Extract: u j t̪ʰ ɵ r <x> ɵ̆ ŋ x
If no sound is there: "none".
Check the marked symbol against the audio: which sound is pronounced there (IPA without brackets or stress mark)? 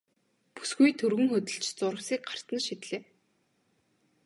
ɣ